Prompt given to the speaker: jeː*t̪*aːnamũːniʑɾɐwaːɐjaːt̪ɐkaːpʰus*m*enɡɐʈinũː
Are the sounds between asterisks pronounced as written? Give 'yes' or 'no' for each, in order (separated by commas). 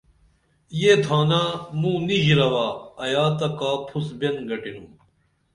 no, no